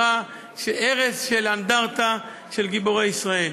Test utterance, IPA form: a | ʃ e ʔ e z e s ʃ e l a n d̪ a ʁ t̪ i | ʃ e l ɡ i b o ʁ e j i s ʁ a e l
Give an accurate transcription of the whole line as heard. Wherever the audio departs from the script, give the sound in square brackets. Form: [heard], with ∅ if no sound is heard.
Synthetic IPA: a | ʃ e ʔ e [ʁ] e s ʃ e l a n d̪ a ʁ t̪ [a] | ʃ e l ɡ i b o ʁ e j i s ʁ a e l